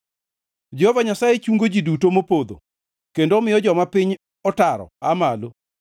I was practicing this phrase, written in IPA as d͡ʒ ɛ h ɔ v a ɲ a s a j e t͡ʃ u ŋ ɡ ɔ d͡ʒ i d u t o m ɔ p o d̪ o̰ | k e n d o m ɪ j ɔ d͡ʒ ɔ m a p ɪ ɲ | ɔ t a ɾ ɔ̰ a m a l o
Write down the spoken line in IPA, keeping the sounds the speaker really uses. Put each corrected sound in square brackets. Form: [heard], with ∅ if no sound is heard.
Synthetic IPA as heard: d͡ʒ ɛ h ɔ v a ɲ a s a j e t͡ʃ u ŋ ɡ [o] d͡ʒ i d u t o m [o] p o d̪ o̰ | k e n d o m ɪ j ɔ d͡ʒ ɔ m a p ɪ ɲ | ɔ t a ɾ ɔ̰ a m a l o